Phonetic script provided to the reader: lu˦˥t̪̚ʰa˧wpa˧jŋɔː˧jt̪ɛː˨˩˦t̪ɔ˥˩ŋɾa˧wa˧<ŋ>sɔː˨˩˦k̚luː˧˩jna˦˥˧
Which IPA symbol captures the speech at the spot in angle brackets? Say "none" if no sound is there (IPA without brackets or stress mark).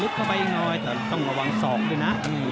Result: ŋ